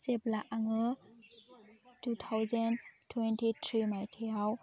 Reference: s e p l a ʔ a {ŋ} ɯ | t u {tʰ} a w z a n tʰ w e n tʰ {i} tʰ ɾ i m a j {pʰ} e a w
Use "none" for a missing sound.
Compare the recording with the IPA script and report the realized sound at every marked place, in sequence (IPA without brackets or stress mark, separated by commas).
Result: ŋ, tʰ, i, tʰ